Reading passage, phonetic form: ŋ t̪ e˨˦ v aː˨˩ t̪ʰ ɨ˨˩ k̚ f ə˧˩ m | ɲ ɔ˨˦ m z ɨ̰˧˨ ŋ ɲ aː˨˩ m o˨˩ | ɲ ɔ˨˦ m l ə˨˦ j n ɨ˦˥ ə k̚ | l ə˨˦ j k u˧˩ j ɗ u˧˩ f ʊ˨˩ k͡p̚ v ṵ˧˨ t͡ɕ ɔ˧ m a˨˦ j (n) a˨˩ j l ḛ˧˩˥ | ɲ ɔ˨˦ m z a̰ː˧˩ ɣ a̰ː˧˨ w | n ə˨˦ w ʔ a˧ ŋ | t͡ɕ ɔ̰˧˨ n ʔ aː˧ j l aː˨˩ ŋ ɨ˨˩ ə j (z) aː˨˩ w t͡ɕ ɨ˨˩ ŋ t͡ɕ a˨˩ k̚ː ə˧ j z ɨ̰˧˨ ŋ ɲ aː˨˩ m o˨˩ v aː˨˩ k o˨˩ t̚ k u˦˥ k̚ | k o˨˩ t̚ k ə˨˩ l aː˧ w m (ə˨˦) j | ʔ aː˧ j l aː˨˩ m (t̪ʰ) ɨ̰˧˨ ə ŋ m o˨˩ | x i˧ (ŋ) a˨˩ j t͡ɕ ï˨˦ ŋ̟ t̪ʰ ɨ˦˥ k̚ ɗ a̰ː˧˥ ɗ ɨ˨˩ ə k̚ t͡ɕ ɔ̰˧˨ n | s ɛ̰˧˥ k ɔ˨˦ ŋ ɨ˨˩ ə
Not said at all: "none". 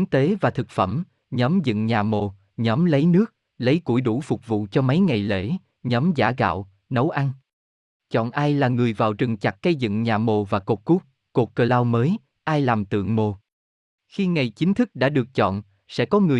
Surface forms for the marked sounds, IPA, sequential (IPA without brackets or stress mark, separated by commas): ŋ, v, əː˨˦, t̪, ŋ